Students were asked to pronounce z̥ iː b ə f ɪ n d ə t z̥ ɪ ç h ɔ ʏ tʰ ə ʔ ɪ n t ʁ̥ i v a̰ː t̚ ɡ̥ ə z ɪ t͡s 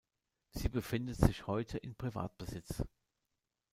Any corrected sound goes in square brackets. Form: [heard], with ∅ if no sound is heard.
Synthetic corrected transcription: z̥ iː b ə f ɪ n d ə t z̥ ɪ ç h ɔ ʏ tʰ ə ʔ ɪ n [p] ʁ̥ i v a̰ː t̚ [b̥] ə z ɪ t͡s